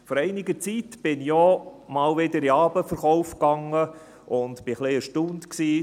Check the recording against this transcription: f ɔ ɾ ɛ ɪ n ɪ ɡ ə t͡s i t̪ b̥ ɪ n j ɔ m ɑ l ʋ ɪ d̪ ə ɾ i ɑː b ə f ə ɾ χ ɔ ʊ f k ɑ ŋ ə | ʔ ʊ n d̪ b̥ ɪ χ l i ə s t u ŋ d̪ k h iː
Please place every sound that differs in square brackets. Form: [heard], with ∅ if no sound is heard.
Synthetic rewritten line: f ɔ ɾ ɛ ɪ n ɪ ɡ ə t͡s i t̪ b̥ ɪ n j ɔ m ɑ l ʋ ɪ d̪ ə ɾ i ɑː b ə f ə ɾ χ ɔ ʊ f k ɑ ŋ ə | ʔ ʊ n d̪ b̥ ɪ χ l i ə [ʃ] t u [n] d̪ k [s] iː